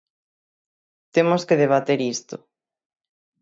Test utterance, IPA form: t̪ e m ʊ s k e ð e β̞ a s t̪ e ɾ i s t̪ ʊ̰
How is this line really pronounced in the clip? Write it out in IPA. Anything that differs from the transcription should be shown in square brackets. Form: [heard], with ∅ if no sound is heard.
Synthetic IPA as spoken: t̪ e m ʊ s k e ð e β̞ a [∅] t̪ e ɾ i s t̪ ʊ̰